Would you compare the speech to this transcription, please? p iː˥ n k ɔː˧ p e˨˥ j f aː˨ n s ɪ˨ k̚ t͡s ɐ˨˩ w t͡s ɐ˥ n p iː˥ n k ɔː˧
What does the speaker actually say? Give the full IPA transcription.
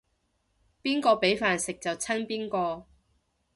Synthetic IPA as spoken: p iː˥ n k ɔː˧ p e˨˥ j f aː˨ n s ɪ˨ k̚ t͡s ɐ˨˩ w t͡sʰ ɐ˥ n p iː˥ n k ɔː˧